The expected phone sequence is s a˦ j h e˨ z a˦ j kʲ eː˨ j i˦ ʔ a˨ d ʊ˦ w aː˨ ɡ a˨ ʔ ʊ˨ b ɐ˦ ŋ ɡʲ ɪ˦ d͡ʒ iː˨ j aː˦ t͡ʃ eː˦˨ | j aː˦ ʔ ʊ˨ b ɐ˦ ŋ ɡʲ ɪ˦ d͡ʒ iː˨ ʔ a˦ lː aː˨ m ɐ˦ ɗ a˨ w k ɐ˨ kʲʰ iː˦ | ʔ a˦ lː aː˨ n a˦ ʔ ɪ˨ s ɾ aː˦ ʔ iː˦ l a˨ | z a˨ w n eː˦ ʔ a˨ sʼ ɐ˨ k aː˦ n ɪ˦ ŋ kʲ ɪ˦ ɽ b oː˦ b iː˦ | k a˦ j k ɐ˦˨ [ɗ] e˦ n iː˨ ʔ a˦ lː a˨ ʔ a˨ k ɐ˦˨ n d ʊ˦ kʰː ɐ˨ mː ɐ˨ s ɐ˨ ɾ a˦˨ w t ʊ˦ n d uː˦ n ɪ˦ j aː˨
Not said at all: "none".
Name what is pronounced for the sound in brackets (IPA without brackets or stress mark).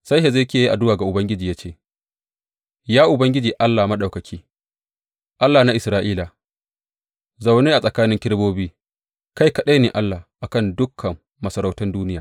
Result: ɗ